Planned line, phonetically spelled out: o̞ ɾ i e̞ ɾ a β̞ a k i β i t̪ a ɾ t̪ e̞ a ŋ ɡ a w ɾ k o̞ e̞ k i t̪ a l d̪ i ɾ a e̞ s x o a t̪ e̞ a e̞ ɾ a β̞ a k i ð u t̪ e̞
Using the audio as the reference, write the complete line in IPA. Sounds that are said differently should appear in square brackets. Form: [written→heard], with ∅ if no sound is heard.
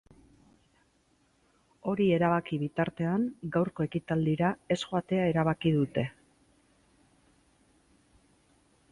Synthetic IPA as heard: o̞ ɾ i e̞ ɾ a β̞ a k i β i t̪ a ɾ t̪ e̞ a ŋ ɡ a w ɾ k o̞ e̞ k i t̪ a l d̪ i ɾ a e̞ s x o a t̪ e̞ a e̞ ɾ a β̞ a k i ð u t̪ e̞